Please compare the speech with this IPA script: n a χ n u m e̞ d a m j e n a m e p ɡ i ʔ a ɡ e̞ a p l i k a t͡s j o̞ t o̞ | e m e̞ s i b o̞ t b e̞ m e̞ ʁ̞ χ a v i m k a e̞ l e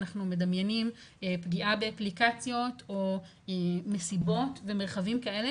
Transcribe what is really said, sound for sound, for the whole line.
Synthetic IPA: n a χ n u m e̞ d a m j e n i m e p ɡ i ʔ a b e̞ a p l i k a t͡s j o̞ t o̞ | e m e̞ s i b o̞ t v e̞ m e̞ ʁ̞ χ a v i m k a e̞ l e